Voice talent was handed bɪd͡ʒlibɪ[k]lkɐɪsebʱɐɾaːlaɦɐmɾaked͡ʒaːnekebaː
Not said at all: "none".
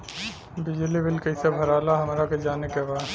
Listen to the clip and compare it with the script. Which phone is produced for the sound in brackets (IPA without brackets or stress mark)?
none